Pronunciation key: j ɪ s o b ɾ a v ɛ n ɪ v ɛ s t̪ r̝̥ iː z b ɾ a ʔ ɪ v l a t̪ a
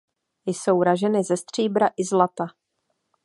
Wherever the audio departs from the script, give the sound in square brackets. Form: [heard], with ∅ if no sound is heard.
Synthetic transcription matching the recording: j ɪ s o [w] ɾ a [ʒ] ɛ n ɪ [z] ɛ s t̪ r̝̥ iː [∅] b ɾ a ʔ ɪ [z] l a t̪ a